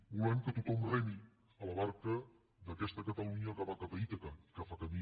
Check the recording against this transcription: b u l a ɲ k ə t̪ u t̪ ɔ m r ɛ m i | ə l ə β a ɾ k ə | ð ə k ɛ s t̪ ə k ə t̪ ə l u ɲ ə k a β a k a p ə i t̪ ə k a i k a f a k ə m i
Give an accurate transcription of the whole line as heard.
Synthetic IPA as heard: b u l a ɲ k ə t̪ u t̪ ɔ m r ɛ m i | ə l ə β a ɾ k ə | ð ə k ɛ s t̪ ə k ə t̪ ə l u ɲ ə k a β a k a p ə i t̪ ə k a i k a f a k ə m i